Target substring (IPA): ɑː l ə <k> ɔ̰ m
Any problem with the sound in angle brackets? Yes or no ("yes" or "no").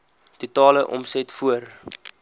yes